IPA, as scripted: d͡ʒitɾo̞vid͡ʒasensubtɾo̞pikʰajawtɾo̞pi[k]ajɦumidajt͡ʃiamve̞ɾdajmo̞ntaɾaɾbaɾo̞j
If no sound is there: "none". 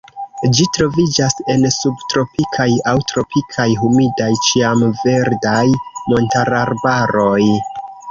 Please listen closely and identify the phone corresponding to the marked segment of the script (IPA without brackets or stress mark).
kʰ